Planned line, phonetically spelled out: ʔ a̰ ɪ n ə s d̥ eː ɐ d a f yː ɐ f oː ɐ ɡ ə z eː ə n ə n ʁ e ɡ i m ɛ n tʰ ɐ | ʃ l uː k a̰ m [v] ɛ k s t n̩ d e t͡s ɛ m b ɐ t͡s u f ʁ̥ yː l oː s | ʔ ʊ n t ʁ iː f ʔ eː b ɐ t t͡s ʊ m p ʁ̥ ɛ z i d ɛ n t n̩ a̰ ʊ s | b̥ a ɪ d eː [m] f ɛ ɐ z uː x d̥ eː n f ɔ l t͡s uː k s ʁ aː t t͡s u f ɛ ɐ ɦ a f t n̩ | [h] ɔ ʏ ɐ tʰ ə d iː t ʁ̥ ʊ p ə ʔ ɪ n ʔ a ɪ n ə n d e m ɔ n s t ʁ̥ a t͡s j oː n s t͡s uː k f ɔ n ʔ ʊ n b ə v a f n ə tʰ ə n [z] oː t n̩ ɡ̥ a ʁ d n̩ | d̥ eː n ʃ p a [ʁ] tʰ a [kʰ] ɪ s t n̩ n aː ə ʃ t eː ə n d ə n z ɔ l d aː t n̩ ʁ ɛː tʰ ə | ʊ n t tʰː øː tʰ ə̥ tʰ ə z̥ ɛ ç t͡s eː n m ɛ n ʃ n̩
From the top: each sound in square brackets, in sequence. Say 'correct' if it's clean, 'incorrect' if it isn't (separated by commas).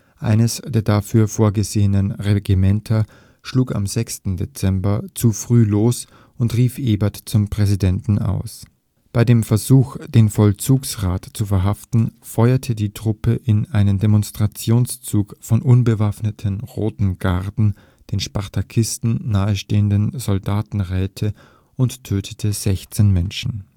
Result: incorrect, correct, incorrect, incorrect, correct, correct